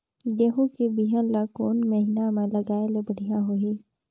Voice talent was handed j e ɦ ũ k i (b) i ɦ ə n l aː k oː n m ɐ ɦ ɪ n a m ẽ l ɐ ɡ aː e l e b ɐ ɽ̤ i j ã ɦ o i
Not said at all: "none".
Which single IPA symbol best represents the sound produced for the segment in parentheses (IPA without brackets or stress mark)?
b